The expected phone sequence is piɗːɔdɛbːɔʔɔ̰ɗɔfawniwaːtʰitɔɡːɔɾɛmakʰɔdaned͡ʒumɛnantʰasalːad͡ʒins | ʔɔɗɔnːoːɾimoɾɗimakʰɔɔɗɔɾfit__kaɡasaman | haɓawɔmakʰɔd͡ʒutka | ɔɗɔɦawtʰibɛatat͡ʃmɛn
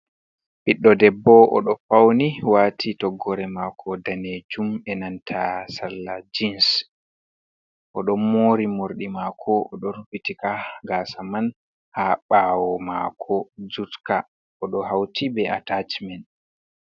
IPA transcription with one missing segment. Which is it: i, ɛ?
i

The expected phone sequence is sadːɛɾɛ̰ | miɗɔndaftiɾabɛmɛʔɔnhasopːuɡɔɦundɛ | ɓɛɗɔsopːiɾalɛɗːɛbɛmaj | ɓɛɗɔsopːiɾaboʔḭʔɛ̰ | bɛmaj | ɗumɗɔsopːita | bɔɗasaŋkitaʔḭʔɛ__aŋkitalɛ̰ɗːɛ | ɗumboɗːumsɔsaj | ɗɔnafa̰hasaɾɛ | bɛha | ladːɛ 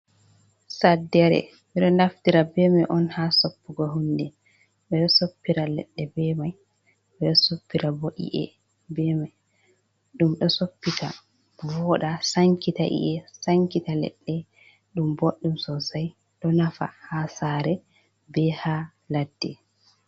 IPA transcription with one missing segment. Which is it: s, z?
s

